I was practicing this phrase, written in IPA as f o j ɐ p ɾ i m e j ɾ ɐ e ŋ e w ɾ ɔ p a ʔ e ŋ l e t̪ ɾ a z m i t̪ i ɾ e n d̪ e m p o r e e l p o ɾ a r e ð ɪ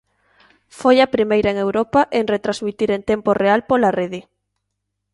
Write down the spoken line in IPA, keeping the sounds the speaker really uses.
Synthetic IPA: f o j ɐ p ɾ i m e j ɾ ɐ e ŋ e w ɾ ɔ p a ʔ e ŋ r e t̪ ɾ a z m i t̪ i ɾ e n t̪ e m p o r e a l p o l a r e ð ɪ